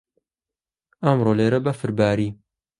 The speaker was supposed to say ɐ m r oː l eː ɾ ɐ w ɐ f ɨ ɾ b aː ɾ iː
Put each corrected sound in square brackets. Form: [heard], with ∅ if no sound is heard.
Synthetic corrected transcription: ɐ m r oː l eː ɾ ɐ [b] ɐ f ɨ ɾ b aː ɾ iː